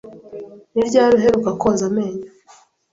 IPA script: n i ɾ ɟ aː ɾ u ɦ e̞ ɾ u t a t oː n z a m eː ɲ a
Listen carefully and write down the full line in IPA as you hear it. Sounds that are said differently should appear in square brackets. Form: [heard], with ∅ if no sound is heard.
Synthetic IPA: n i ɾ ɟ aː ɾ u ɦ e̞ ɾ u [k] a [k] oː n z a m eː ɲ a